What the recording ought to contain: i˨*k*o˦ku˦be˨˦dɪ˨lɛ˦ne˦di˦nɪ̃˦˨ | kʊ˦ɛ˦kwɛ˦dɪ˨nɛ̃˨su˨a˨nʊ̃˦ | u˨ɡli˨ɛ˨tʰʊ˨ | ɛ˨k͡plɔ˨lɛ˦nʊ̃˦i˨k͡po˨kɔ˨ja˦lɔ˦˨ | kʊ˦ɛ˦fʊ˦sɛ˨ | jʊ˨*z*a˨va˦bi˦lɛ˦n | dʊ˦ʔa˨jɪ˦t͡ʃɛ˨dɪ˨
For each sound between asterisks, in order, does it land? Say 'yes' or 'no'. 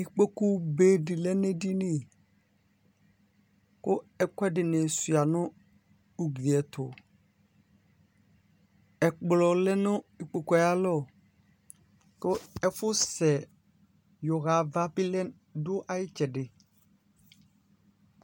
no, no

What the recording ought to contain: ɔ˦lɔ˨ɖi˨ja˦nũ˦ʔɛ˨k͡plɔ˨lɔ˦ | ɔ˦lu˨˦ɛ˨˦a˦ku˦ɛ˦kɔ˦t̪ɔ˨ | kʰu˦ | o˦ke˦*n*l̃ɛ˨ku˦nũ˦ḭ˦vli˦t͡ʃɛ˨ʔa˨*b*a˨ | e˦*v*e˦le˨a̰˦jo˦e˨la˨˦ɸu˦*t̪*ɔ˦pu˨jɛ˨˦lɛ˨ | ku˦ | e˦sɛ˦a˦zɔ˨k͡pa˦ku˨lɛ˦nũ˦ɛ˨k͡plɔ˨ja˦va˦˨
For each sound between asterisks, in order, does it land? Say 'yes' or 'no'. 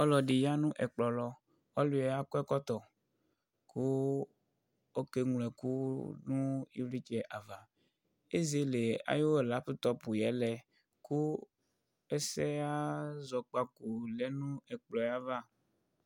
no, no, no, yes

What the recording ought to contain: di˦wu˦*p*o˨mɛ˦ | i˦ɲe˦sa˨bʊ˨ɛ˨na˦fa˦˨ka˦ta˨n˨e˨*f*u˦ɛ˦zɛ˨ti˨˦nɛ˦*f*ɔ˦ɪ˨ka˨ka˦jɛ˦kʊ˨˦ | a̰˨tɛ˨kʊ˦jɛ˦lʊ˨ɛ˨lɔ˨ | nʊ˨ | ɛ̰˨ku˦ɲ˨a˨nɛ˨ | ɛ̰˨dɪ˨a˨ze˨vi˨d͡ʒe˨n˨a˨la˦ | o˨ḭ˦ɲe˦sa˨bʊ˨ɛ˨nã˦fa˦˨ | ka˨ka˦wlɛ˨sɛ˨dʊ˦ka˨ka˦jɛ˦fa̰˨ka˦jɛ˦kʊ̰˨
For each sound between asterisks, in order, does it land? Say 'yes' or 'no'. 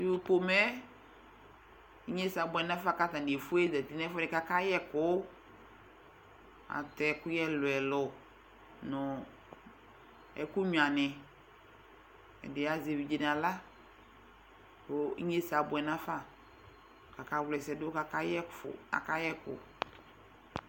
yes, yes, yes

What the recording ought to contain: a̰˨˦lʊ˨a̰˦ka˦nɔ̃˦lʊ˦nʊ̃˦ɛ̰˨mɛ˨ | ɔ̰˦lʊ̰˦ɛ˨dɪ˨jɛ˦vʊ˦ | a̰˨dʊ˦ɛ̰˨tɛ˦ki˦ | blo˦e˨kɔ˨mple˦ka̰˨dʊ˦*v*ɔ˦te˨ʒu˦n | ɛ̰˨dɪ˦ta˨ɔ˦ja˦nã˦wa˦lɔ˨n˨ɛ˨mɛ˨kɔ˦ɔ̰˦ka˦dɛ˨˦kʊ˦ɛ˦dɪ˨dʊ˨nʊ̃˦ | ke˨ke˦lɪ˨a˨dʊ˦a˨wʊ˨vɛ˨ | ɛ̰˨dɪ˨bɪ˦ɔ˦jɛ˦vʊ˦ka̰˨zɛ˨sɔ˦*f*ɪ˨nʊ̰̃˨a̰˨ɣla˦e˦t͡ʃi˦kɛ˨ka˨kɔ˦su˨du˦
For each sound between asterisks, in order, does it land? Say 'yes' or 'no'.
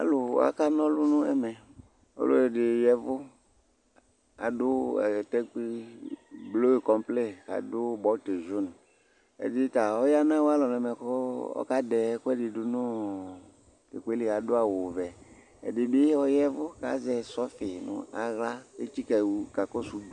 no, yes

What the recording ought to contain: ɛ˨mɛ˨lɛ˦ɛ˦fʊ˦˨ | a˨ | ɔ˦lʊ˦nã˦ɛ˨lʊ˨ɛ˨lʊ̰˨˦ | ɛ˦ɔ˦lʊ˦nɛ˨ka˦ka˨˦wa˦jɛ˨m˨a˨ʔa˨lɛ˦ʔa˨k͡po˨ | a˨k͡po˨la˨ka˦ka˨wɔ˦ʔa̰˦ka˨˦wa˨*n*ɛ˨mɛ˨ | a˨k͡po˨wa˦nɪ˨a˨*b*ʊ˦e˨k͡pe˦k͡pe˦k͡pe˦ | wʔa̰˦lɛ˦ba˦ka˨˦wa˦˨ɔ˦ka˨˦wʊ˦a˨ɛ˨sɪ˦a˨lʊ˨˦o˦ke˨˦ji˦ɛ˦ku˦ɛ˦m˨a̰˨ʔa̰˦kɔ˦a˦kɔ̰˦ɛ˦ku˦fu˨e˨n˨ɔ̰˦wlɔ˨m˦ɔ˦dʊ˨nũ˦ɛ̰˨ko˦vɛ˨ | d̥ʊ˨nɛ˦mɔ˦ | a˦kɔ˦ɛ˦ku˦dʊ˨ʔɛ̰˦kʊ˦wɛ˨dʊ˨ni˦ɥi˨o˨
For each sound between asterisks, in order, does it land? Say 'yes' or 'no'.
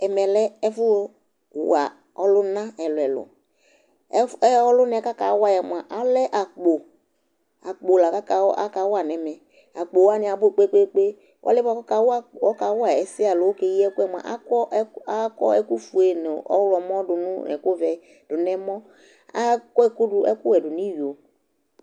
yes, yes

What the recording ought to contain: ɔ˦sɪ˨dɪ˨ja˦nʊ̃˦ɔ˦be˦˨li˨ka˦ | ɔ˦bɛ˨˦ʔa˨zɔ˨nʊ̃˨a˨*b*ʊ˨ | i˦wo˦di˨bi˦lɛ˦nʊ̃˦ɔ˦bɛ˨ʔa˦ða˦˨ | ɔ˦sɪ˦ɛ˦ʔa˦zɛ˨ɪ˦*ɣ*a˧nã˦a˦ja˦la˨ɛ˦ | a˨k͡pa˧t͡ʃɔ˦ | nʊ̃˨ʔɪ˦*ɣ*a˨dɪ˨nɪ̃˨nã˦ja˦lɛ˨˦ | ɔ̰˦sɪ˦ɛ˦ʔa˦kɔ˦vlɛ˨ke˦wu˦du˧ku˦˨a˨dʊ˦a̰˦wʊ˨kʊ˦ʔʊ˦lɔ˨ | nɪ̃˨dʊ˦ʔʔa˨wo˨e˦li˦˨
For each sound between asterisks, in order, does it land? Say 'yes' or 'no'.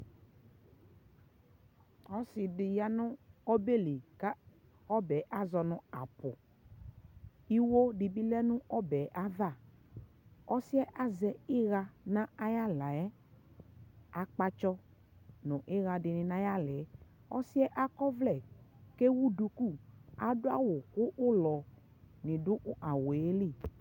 no, yes, yes

